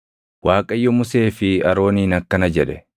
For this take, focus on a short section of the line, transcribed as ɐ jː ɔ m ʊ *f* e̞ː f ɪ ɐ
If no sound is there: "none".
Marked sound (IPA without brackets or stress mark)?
s